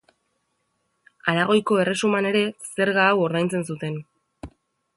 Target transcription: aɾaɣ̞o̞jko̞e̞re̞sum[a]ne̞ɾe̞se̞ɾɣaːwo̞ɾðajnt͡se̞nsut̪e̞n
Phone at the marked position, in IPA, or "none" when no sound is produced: a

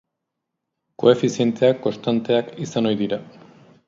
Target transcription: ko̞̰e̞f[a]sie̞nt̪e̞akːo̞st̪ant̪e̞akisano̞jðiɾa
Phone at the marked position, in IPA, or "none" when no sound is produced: i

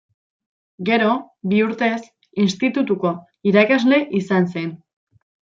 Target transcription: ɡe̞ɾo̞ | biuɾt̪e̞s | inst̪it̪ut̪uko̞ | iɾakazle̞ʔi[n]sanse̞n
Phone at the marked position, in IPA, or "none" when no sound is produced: none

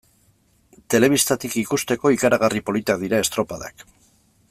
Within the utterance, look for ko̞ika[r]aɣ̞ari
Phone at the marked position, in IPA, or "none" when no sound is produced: ɾ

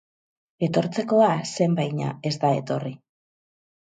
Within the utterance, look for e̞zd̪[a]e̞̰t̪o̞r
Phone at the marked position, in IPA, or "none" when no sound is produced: a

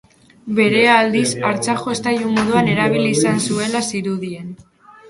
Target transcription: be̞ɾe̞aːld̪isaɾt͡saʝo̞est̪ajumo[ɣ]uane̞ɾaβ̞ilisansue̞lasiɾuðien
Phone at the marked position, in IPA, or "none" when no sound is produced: ð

